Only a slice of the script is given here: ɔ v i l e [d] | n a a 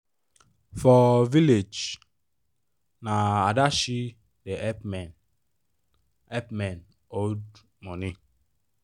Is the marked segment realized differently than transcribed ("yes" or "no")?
yes